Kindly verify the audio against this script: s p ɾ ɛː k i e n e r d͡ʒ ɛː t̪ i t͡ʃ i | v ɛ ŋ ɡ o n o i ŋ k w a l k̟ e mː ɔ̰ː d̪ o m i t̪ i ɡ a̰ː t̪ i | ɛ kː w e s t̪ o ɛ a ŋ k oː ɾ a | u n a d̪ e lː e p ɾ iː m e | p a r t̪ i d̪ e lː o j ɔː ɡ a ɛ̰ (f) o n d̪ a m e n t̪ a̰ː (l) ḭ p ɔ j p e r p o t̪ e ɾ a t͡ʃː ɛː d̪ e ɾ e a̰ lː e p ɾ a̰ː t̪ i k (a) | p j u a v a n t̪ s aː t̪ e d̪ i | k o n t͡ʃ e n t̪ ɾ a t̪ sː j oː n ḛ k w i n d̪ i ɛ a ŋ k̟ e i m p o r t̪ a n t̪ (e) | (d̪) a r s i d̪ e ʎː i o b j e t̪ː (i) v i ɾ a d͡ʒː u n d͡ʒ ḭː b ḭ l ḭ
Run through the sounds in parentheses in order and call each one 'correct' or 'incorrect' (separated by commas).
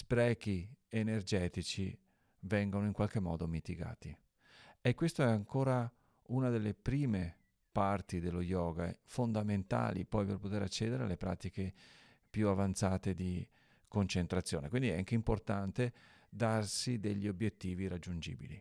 correct, correct, incorrect, correct, correct, incorrect